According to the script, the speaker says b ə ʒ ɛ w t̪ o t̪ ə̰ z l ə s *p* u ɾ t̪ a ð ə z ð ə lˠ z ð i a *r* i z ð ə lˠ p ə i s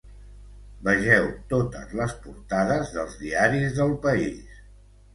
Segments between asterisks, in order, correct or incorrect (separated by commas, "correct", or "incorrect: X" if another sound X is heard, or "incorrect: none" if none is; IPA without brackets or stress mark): correct, incorrect: ɾ